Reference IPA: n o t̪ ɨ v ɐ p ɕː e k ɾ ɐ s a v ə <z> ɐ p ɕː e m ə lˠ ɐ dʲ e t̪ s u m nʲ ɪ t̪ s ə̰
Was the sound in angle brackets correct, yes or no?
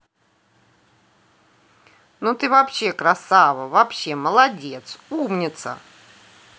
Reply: no